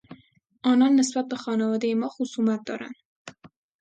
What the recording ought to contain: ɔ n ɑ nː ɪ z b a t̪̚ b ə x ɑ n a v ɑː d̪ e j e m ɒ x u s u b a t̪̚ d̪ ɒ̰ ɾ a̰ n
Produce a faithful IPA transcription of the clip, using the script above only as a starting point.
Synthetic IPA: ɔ n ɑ nː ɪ s b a t̪̚ b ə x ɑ n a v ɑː d̪ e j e m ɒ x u s u m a t̪̚ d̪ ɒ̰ ɾ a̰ n